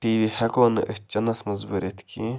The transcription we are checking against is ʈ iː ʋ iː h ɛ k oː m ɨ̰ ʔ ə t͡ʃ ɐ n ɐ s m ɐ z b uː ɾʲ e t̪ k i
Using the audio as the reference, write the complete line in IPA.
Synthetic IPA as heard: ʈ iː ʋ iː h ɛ k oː n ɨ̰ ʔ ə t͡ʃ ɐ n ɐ s m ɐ z b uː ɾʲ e t̪ k i